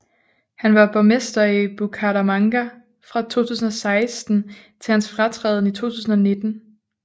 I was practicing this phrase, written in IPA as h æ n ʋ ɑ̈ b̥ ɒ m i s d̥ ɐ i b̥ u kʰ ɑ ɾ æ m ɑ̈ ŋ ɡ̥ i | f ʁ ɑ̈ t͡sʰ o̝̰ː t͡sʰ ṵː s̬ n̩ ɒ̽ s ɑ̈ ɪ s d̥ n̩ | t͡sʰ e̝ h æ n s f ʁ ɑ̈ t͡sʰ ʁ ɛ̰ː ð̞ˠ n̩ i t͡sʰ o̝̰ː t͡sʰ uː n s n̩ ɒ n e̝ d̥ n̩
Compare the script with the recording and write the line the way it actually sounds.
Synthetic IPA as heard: h æ n ʋ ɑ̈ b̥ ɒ m e s d̥ ɐ i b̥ u kʰ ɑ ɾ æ m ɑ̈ ŋ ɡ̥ æ | f ʁ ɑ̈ t͡sʰ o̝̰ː t͡sʰ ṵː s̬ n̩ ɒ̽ s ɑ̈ ɪ s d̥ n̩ | t͡sʰ e̝ h æ n s f ʁ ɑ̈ t͡sʰ ʁ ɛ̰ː ð̞ˠ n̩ i t͡sʰ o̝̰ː t͡sʰ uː s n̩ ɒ n e̝ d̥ n̩

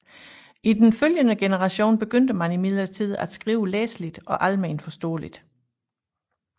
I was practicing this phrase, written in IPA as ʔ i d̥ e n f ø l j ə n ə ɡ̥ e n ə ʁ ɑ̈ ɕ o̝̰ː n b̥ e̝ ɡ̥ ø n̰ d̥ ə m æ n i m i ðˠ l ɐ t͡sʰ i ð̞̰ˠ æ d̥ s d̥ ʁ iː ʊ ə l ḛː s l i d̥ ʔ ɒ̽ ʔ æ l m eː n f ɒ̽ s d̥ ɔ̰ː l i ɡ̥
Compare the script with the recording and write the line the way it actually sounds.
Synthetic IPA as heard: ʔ i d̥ e n f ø l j ə n ə ɡ̥ e n ə ʁ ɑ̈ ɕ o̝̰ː n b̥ e̝ ɡ̥ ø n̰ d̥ ə m æ n i m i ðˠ l ɐ t͡sʰ i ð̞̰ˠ æ d̥ s ɡ̥ ʁ iː ʊ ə l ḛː s l i d̥ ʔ ɒ̽ ʔ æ l m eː n f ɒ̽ s d̥ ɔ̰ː l i d̥

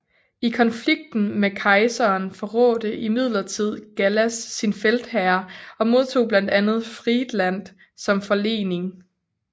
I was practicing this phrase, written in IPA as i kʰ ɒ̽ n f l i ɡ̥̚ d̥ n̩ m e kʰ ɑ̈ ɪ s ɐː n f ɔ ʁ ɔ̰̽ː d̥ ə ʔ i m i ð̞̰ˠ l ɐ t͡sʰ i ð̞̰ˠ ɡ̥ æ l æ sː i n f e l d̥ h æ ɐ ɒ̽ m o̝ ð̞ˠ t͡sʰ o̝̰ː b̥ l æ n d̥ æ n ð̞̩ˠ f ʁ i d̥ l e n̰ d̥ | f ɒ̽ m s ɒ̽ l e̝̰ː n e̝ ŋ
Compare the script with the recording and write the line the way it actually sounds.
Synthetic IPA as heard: i kʰ ɒ̽ n f l i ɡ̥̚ d̥ n̩ m e kʰ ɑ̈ ɪ s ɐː n f ɒ ʁ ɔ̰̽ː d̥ ə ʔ i m i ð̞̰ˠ l ɐ t͡sʰ i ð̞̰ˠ ɡ̥ æ l æ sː i n f e l d̥ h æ ɐ ɒ̽ m o̝ ð̞ˠ t͡sʰ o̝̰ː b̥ l æ n d̥ æ n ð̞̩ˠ f ʁ i d̥ l æ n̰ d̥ | s ɒ̽ m f ɒ̽ l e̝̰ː n e̝ ŋ

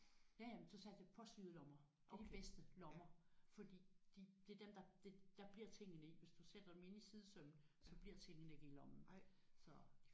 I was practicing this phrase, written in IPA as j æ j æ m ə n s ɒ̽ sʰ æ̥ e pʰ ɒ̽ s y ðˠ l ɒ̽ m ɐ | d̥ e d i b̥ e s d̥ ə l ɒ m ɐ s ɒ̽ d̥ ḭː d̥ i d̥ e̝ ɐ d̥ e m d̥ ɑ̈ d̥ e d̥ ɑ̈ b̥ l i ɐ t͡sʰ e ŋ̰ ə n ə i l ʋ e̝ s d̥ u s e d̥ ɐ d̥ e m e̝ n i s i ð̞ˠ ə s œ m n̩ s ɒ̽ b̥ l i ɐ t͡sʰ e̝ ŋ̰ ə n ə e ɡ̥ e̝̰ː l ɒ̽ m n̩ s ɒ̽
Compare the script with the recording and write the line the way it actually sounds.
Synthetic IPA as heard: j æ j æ m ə n s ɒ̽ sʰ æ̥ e pʰ ɒ̽ s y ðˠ l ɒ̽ m ɐ | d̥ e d i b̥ e s d̥ ə l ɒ m ɐ f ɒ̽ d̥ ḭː d̥ i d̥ e̝ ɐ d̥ e m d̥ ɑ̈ d̥ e d̥ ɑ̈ b̥ l i ɐ t͡sʰ e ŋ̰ ə n ə i ʋ e̝ s d̥ u s e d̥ ɐ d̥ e m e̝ n i s i ð̞ˠ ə s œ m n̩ s ɒ̽ b̥ l i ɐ t͡sʰ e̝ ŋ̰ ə n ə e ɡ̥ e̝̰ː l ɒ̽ m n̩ s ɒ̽

